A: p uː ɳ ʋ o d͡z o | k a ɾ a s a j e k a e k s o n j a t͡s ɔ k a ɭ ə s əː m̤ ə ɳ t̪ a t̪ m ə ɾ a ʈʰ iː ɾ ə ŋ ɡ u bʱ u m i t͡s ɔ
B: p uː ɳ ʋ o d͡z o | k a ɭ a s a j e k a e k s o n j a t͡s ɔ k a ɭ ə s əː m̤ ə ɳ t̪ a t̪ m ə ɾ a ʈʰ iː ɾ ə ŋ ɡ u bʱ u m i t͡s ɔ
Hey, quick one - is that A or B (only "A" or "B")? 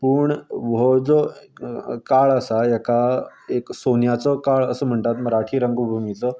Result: B